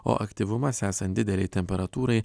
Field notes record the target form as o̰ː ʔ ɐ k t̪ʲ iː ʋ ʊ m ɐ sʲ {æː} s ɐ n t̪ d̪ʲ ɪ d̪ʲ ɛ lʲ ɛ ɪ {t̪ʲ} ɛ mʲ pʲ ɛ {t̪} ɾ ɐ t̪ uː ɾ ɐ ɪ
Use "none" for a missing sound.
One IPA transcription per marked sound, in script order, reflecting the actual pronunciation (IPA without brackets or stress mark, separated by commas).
æː, t̪ʲ, none